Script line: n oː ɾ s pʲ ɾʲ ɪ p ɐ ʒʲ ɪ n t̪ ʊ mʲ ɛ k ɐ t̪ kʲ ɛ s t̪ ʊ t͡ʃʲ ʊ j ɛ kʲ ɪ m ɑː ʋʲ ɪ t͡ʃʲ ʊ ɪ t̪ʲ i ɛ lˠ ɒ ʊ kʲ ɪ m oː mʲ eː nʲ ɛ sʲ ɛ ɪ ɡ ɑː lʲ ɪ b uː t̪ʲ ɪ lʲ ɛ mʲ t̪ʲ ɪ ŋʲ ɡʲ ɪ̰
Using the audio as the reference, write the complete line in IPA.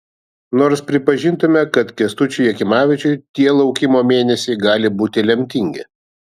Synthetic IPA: n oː ɾ s pʲ ɾʲ ɪ p ɐ ʒʲ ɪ n t̪ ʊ mʲ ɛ k ɐ t̪ kʲ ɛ s t̪ ʊ t͡ʃʲ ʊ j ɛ kʲ ɪ m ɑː ʋʲ ɪ t͡ʃʲ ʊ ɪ t̪ʲ i ɛ lˠ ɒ ʊ kʲ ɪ m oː mʲ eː nʲ ɛ sʲ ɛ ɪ ɡ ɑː lʲ ɪ b uː t̪ʲ ɪ lʲ ɛ mʲ t̪ʲ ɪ ŋʲ ɡʲ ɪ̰